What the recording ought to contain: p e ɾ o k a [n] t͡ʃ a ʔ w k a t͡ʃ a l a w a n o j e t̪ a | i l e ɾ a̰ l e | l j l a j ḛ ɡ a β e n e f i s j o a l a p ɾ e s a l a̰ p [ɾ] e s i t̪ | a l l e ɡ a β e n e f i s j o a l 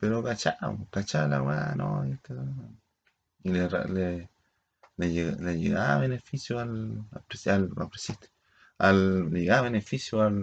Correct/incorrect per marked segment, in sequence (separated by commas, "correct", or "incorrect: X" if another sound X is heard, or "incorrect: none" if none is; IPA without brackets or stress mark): incorrect: none, correct